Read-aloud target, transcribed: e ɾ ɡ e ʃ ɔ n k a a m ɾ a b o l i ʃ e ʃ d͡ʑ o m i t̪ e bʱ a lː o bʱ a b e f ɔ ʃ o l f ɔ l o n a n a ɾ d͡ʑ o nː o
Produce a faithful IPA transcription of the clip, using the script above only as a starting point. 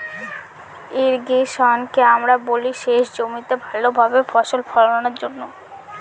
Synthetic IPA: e ɾ ɡ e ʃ ɔ n k e a m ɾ a b o l i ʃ e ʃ d͡ʑ o m i t̪ e bʱ a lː o bʱ a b e f ɔ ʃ o l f ɔ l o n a n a ɾ d͡ʑ o nː o